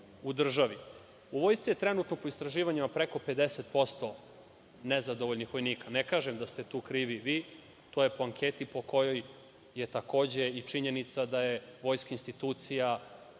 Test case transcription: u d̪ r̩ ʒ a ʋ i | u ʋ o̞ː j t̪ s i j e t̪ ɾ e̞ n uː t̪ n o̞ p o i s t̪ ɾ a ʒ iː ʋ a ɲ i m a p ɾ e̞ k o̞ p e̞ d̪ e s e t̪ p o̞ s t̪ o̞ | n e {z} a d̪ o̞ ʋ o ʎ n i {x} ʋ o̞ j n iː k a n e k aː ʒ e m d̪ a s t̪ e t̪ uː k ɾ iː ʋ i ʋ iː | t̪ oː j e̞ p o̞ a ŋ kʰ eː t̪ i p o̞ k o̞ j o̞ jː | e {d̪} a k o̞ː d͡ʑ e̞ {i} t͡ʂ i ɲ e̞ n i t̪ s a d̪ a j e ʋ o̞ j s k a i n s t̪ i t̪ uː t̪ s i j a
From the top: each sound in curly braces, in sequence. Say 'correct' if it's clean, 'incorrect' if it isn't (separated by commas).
correct, correct, incorrect, correct